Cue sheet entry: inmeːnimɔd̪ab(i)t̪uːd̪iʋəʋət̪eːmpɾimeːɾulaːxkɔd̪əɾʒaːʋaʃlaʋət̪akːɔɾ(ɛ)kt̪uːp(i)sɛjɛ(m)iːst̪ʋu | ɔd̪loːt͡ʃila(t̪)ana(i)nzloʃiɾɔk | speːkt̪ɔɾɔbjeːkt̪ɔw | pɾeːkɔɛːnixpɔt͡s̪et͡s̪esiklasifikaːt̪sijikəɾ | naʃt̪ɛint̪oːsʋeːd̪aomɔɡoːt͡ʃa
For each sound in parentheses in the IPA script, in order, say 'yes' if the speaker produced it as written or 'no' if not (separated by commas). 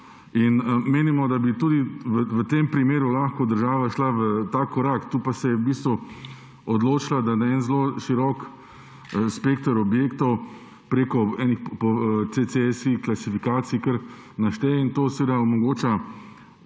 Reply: yes, no, no, no, no, no